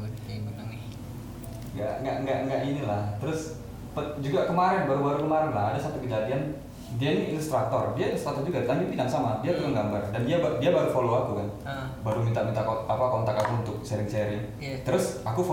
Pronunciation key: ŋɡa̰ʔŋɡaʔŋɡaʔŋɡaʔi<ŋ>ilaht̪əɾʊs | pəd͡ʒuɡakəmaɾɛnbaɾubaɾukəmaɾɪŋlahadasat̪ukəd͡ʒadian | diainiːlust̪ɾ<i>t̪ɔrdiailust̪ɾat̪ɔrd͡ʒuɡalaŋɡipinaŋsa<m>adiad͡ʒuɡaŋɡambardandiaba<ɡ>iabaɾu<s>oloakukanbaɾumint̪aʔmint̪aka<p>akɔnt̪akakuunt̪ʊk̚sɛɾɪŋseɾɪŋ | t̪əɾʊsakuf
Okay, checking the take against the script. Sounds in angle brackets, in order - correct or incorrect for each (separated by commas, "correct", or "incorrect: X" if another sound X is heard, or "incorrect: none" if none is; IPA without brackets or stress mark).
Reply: incorrect: n, incorrect: a, correct, incorrect: d, incorrect: f, correct